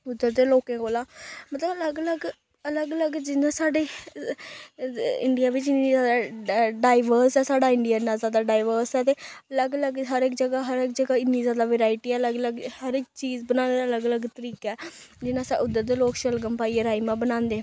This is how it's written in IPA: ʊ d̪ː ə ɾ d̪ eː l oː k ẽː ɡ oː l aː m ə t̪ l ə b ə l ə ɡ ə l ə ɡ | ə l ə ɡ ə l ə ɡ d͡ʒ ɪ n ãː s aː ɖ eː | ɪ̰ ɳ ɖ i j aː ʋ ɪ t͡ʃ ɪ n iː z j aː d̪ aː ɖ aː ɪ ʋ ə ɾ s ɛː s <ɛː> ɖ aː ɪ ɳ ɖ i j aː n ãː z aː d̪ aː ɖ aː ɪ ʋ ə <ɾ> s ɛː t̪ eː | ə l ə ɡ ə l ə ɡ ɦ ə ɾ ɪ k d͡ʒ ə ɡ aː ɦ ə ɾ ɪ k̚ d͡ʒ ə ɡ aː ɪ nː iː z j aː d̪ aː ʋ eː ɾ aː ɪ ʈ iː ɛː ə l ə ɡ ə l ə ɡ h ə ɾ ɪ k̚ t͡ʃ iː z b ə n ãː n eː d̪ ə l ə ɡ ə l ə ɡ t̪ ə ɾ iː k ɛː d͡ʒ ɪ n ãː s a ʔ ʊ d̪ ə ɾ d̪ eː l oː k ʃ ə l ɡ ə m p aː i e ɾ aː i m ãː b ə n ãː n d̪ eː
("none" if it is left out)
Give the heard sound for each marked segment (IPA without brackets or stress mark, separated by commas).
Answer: aː, ɾ